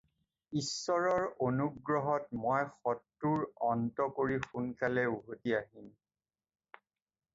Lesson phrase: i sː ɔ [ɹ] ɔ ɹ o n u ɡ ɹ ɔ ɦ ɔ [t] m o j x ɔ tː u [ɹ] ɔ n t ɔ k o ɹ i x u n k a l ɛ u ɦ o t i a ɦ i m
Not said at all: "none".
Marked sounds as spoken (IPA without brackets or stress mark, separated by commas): ɹ, t, ɹ